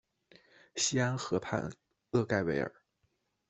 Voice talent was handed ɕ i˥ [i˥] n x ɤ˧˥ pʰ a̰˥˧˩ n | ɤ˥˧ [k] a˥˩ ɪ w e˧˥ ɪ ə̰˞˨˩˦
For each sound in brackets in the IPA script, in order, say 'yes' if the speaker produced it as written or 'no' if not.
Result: no, yes

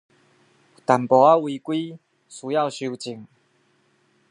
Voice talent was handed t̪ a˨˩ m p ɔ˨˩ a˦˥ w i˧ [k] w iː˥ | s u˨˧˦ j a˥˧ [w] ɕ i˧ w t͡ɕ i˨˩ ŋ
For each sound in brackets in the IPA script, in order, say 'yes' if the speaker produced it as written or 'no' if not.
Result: yes, yes

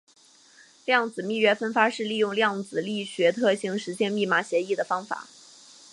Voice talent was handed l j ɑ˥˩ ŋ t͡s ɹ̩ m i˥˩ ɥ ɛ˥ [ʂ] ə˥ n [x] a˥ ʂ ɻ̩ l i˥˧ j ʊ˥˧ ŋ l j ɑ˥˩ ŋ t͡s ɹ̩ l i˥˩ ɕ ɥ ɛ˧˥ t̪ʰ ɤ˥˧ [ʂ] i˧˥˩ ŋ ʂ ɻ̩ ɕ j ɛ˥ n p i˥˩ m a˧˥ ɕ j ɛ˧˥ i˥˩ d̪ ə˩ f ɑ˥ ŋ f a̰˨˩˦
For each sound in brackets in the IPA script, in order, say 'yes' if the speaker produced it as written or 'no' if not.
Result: no, no, no

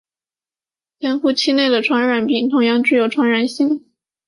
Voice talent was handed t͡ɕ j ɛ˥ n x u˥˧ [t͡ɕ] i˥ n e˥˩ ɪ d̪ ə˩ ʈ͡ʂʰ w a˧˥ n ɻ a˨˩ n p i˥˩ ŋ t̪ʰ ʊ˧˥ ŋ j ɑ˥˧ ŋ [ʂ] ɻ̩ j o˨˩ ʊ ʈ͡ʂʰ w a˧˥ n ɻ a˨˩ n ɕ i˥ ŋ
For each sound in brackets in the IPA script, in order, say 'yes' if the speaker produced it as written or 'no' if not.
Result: no, no

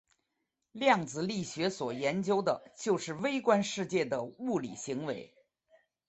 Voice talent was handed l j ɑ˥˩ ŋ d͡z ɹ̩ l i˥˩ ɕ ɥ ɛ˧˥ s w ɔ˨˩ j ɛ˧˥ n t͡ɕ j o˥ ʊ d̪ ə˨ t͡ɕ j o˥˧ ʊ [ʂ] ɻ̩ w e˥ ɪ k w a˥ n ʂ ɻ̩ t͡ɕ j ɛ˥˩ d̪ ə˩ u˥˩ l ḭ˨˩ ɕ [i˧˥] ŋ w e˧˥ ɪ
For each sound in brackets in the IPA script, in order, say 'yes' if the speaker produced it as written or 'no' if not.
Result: yes, yes

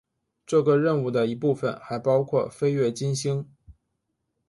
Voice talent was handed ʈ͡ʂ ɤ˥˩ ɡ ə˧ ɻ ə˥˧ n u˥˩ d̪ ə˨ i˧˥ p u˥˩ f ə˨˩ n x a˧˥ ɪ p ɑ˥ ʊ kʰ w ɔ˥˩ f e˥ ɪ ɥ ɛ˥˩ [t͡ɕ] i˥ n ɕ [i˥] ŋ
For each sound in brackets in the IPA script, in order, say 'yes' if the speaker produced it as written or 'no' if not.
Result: yes, yes

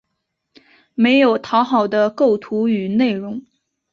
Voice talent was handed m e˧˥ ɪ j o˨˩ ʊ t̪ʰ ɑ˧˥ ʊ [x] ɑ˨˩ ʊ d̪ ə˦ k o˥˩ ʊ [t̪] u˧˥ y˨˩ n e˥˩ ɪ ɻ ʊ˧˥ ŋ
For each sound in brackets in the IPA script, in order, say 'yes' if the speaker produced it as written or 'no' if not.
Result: yes, no

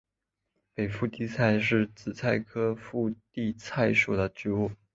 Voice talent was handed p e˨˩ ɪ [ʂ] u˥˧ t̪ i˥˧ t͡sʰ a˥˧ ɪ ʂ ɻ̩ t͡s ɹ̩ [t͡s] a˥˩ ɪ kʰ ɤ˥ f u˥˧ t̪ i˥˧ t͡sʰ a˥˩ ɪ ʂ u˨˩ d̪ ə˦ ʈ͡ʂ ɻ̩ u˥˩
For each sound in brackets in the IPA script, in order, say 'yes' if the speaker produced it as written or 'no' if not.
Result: no, no

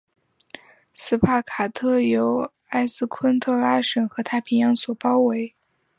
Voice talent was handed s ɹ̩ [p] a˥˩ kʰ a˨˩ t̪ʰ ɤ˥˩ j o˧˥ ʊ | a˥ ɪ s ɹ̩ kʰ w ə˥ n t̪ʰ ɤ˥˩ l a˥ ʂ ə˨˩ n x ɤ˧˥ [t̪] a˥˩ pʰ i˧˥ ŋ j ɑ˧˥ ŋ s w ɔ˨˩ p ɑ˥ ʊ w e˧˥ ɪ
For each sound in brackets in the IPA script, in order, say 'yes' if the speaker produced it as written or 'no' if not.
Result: no, no

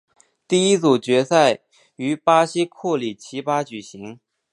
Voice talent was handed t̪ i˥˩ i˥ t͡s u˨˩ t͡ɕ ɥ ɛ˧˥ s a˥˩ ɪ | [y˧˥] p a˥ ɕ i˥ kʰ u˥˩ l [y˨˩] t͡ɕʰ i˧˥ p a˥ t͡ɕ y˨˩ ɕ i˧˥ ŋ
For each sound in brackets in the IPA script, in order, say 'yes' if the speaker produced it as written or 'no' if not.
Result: yes, no

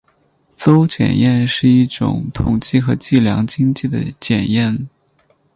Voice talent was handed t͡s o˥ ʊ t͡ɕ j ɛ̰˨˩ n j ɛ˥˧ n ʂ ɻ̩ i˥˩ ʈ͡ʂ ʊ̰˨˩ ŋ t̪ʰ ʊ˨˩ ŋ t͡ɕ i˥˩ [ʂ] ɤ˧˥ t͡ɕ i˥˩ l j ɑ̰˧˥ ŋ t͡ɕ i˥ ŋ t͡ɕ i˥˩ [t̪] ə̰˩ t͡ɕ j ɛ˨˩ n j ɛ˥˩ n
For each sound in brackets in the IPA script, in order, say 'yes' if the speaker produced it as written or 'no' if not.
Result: no, no

